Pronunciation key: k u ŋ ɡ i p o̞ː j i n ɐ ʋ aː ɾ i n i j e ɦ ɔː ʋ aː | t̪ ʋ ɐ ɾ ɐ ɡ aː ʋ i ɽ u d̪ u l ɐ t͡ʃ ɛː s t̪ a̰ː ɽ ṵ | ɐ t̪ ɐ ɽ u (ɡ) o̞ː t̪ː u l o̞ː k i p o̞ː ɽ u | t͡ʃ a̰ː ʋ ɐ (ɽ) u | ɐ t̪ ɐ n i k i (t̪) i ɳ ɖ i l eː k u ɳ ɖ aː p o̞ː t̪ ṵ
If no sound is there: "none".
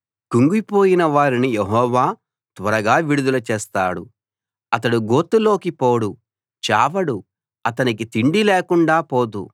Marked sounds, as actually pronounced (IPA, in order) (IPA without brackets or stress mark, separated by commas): ɡ, ɽ, t̪